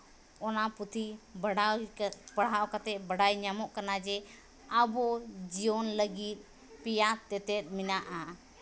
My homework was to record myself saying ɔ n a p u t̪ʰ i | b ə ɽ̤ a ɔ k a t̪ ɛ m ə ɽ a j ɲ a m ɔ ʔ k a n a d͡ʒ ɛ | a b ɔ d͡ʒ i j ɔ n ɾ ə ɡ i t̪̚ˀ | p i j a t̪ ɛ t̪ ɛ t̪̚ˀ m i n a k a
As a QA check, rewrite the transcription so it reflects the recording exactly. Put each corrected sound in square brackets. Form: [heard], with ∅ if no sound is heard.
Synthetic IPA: ɔ n a p u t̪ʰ i | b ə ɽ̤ a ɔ k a t̪ ɛ [b] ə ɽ a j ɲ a m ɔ ʔ k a n a d͡ʒ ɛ | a b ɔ d͡ʒ i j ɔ n [l] ə ɡ i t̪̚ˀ | p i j a t̪ ɛ t̪ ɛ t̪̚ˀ m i n a [ʔ] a